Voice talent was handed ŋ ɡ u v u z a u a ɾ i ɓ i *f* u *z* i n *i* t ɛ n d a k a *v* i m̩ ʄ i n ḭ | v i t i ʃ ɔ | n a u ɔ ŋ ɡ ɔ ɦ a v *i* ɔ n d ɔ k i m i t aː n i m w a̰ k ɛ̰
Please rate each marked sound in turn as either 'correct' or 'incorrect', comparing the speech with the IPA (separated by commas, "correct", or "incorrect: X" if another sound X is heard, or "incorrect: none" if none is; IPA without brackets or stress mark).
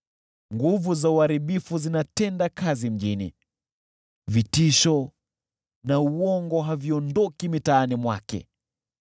correct, correct, incorrect: a, incorrect: z, correct